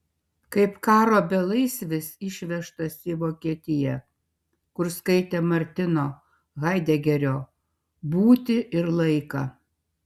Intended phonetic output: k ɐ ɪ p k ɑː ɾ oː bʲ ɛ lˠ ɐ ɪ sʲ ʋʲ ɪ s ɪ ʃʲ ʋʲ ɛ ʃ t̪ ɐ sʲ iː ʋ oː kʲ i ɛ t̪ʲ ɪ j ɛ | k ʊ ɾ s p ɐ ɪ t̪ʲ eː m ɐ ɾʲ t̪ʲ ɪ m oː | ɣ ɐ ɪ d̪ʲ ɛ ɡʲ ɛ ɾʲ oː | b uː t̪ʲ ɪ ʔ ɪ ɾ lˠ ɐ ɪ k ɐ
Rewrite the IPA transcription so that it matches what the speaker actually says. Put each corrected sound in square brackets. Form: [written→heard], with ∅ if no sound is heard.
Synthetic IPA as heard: k ɐ ɪ p k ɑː ɾ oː bʲ ɛ lˠ ɐ ɪ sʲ ʋʲ ɪ s ɪ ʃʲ ʋʲ ɛ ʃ t̪ ɐ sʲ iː ʋ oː kʲ i ɛ t̪ʲ ɪ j ɛ | k ʊ ɾ s [p→k] ɐ ɪ t̪ʲ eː m ɐ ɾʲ t̪ʲ ɪ [m→n] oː | ɣ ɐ ɪ d̪ʲ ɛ ɡʲ ɛ ɾʲ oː | b uː t̪ʲ ɪ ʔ ɪ ɾ lˠ ɐ ɪ k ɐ